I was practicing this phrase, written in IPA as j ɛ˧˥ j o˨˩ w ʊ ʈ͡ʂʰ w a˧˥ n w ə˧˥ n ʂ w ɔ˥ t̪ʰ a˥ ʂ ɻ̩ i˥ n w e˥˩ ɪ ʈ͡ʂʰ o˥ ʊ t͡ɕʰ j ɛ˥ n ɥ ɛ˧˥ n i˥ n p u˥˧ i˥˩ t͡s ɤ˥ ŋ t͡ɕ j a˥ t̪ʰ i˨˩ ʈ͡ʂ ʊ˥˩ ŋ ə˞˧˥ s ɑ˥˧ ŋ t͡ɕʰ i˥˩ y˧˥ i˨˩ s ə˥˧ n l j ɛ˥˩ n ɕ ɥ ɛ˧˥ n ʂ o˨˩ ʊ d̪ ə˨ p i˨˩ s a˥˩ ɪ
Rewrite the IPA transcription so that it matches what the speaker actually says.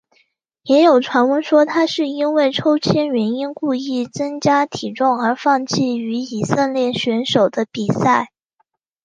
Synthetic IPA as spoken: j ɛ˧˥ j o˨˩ ʊ ʈ͡ʂʰ w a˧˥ n w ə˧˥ n ʂ w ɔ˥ t̪ʰ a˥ ʂ ɻ̩ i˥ n w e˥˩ ɪ ʈ͡ʂʰ o˥ ʊ t͡ɕʰ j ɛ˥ n ɥ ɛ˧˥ n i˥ n k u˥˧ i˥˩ t͡s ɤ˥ ŋ t͡ɕ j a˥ t̪ʰ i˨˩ ʈ͡ʂ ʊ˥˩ ŋ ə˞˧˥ f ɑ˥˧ ŋ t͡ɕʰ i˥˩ y˧˥ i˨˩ s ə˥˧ n l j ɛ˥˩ n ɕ ɥ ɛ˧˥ n ʂ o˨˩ ʊ d̪ ə˦ p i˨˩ s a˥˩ ɪ